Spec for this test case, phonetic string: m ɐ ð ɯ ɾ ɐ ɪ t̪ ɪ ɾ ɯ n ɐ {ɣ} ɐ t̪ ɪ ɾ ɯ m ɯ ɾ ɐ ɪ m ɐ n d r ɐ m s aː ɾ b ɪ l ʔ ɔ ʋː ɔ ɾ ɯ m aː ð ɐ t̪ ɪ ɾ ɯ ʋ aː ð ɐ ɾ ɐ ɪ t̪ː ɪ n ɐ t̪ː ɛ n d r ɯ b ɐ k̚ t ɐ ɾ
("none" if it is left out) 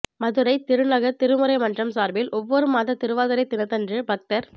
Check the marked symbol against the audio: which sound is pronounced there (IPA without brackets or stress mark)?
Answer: ɣ